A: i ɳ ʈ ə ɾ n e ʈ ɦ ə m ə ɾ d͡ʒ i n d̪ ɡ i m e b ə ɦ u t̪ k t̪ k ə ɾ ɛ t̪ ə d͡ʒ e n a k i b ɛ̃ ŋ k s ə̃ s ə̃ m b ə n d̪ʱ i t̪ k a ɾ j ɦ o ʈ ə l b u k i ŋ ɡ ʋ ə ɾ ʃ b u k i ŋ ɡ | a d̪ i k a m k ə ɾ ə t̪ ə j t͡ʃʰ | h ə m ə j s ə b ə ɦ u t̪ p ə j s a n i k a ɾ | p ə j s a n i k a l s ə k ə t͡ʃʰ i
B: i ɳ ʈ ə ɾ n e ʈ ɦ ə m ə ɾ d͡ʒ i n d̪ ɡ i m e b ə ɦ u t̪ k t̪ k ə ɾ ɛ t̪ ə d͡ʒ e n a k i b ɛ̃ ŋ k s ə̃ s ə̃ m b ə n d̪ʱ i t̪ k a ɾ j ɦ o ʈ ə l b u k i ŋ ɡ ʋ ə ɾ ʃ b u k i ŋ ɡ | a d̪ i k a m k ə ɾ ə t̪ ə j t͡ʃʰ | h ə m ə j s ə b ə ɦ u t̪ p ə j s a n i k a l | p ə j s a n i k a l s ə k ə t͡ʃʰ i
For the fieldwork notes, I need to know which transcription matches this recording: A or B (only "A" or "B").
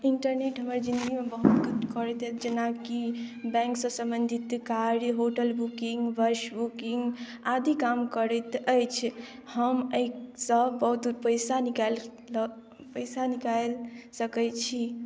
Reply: B